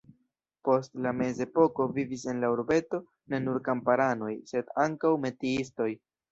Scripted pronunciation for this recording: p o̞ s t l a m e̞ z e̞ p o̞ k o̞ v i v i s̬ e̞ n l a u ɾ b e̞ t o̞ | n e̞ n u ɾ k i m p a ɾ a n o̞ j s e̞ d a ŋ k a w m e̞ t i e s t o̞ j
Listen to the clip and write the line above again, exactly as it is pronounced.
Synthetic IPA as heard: p o̞ s t l a m e̞ z e̞ p o̞ k o̞ v i v i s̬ e̞ n l a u ɾ b e̞ t o̞ | n e̞ n u ɾ k a m p a ɾ a n o̞ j s e̞ d a ŋ k a w m e̞ t i i s t o̞ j